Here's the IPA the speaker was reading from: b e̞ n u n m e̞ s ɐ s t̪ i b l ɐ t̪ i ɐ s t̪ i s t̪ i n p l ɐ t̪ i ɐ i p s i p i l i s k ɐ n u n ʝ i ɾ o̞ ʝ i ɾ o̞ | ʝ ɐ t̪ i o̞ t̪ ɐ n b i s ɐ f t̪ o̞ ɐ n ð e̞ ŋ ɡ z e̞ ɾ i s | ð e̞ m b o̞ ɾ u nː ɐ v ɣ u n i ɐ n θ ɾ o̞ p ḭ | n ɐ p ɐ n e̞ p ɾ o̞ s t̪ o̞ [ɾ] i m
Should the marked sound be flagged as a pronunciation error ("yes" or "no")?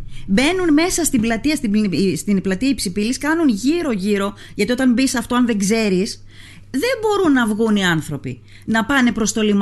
yes